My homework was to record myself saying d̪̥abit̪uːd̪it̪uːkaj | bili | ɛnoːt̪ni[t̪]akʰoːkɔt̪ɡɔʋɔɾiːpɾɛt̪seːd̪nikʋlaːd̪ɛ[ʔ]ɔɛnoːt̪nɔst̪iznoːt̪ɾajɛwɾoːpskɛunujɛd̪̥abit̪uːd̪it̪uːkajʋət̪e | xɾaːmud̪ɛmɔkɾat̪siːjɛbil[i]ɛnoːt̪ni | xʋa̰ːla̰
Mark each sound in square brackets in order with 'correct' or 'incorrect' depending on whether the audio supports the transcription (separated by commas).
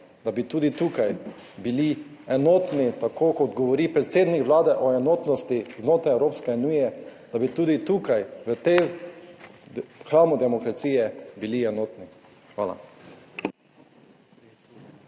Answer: correct, correct, correct